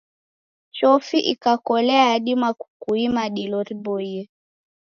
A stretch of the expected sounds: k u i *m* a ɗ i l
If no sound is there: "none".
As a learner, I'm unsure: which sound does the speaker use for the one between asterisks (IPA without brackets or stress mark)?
m